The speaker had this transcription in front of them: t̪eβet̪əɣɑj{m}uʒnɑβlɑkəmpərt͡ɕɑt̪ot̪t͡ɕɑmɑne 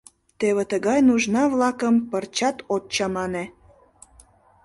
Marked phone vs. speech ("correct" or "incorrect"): incorrect